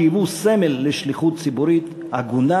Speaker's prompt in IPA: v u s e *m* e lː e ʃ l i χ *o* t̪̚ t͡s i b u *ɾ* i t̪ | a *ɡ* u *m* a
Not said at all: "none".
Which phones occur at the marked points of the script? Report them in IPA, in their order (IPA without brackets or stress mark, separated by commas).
m, u, ɾ, ɡ, n